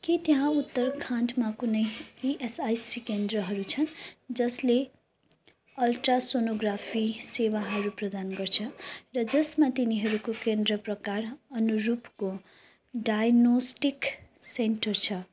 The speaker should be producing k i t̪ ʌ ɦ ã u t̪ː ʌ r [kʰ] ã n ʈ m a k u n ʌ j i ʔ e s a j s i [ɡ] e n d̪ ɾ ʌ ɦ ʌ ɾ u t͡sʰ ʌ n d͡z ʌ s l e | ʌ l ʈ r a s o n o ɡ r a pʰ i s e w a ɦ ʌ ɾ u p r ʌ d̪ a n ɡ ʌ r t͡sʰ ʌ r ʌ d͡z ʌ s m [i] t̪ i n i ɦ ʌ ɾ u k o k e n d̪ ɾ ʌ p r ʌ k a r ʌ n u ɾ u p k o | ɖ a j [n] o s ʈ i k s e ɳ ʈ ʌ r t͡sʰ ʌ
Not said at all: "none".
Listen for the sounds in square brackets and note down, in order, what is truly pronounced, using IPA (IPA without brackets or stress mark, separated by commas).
kʰ, k, a, n